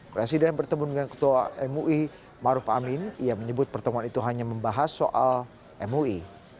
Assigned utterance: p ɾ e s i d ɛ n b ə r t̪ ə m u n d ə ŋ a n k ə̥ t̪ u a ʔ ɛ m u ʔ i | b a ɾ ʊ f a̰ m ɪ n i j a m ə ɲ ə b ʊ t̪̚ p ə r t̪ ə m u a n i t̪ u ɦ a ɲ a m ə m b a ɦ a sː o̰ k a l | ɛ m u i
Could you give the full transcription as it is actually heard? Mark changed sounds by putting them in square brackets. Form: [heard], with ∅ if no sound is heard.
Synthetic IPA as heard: p ɾ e s i d ɛ n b ə r t̪ ə m u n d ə ŋ a n k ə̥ t̪ u a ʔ ɛ m u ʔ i | [m] a ɾ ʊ f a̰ m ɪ n i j a m ə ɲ ə b ʊ t̪̚ p ə r t̪ ə m u a n i t̪ u ɦ a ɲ a m ə m b a ɦ a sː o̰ [ʔ] a l | ɛ m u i